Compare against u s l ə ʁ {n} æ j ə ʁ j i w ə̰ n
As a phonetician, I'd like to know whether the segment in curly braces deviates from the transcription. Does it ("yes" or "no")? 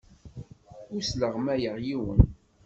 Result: yes